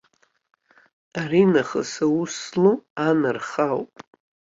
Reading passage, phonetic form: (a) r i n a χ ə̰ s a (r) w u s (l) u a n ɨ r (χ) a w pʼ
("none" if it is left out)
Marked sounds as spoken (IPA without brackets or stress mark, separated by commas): a, none, l, χ